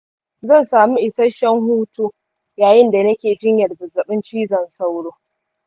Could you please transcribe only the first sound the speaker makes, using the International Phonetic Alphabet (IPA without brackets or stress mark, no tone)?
z